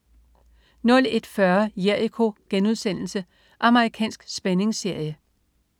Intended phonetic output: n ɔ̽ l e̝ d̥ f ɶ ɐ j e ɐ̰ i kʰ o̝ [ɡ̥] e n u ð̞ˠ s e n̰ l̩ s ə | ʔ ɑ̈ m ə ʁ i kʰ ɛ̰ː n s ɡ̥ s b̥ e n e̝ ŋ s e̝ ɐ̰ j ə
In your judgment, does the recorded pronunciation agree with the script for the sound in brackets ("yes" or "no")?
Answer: yes